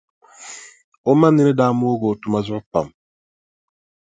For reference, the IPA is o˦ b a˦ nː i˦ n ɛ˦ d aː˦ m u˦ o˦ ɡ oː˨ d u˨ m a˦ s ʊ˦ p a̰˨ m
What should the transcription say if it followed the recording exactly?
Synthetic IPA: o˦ m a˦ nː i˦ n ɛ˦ d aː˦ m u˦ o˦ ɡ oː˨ t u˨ m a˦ z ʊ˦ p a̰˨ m

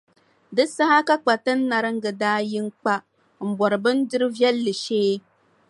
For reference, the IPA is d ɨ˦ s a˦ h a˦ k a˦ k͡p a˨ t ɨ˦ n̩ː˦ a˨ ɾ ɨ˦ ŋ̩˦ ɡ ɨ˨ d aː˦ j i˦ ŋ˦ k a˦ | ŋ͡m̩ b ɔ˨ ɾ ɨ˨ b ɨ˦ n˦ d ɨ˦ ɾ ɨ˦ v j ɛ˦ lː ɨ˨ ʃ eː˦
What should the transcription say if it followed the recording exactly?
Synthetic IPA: d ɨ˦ s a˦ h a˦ k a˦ k͡p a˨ t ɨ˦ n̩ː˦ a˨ ɾ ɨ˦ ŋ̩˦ ɡ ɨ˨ d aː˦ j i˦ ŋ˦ k͡p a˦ | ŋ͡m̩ b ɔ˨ ɾ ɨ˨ b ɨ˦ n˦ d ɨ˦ ɾ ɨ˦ v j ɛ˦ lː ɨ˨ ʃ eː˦

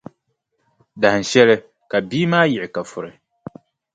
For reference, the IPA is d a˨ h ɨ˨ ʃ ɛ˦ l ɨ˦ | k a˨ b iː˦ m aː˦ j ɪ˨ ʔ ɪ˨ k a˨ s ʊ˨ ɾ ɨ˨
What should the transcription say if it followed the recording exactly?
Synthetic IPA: d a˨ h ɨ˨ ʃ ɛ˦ l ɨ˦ | k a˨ b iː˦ m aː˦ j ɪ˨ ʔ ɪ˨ k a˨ f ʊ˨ ɾ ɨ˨

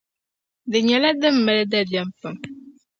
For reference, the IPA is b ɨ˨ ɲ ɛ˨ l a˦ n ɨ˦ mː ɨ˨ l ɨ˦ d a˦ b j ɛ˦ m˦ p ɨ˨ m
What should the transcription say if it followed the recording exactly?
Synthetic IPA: d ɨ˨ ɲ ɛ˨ l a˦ d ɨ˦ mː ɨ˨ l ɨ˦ d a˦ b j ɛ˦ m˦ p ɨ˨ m

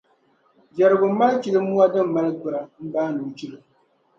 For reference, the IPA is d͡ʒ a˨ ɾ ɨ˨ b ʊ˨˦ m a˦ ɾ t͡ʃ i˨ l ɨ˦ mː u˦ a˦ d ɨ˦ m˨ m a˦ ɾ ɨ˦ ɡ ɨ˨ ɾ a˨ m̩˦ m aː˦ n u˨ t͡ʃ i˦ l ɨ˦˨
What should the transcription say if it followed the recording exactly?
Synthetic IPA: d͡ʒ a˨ ɾ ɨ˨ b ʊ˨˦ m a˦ l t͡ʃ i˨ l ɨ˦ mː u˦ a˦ d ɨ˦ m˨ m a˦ l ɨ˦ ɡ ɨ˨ ɾ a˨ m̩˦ b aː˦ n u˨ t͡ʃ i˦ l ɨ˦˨

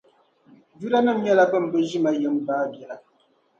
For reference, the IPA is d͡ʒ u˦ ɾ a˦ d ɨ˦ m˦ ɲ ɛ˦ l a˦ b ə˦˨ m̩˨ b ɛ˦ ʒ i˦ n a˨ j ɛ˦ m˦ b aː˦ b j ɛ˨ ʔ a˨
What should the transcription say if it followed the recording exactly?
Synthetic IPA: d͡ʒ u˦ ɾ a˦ n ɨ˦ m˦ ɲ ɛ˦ l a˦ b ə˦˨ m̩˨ b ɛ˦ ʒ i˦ m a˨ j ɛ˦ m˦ b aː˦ b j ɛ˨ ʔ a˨

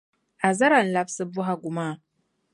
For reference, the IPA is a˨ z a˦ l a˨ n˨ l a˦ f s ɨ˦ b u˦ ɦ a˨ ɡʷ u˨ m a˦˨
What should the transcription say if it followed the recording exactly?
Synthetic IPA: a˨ z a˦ ɾ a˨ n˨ l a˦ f s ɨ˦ b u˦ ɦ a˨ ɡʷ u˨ m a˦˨

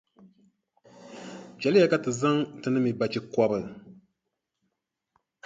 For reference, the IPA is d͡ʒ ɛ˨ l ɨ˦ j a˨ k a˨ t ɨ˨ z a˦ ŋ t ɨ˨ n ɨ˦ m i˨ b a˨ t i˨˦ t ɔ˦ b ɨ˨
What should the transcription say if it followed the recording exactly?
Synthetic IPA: d͡ʒ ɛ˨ l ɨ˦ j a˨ k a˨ t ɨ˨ z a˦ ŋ t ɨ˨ n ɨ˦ m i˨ b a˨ t͡ʃ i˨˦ k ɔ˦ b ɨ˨

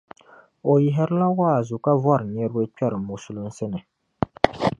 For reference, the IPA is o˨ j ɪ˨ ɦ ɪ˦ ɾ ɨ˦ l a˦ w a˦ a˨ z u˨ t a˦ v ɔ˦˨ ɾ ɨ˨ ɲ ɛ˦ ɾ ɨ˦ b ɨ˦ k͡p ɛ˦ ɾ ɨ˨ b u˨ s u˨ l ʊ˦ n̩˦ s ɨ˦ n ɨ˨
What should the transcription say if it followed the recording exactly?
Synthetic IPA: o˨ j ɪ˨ ɦ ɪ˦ ɾ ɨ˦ l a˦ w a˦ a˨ z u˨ k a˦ v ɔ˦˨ ɾ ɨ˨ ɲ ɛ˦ ɾ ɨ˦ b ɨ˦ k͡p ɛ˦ ɾ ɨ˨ m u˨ s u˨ l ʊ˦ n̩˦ s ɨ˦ n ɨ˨

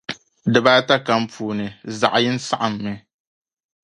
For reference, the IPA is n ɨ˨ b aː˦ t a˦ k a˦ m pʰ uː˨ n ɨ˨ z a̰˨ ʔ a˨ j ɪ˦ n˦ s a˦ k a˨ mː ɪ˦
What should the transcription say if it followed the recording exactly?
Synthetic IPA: d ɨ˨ b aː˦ t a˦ k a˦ m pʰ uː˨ n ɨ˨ z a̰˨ ʔ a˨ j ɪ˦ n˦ s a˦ ʔ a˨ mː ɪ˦

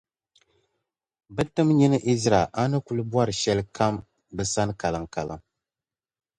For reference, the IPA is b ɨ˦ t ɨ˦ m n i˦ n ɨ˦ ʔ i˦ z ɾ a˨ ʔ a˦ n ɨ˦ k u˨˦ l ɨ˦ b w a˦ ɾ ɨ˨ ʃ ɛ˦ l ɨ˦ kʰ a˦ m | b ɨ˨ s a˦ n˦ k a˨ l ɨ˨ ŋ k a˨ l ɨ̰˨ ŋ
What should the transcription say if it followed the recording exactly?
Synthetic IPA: b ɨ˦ t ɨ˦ m ɲ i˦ n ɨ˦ ʔ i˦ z ɾ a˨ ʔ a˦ n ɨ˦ k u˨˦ l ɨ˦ b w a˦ ɾ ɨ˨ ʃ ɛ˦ l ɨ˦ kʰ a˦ m | b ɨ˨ s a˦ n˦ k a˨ l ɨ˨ ŋ k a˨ l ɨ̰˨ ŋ

